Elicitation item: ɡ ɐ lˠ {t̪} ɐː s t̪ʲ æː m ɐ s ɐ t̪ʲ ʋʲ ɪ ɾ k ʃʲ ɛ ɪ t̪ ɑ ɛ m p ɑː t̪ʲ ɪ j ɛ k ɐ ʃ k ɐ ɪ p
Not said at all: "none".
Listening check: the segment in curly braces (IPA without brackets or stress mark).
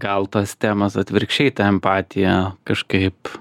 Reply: t̪